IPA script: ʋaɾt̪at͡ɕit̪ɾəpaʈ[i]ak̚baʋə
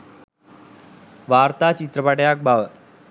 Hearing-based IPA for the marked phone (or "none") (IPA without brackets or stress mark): j